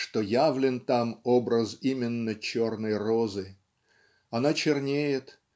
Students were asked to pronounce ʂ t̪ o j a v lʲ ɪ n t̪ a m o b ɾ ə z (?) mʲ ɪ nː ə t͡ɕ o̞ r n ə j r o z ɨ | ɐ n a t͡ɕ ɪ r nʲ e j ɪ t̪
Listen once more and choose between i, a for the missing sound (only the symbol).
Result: i